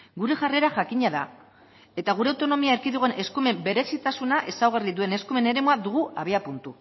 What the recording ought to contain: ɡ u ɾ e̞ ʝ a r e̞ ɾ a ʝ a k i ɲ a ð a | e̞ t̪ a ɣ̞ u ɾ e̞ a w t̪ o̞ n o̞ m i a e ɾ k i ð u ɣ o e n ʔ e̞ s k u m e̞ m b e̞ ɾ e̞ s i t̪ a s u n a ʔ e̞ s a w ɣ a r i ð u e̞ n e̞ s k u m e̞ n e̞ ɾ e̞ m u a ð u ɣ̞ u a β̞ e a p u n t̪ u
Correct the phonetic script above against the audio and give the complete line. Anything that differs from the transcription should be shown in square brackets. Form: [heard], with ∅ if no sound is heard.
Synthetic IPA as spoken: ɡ u ɾ e̞ ʝ a r e̞ ɾ a ʝ a k i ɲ a ð a | e̞ t̪ a ɣ̞ u ɾ e̞ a w t̪ o̞ n o̞ m i a e ɾ k i ð u ɣ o e n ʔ e̞ s k u m e̞ m b e̞ ɾ e̞ s i t̪ a s u n a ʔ e̞ s a w ɣ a r i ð u e̞ n e̞ s k u m e̞ n e̞ ɾ e̞ m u a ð u ɣ̞ u a β̞ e a p u n t̪ u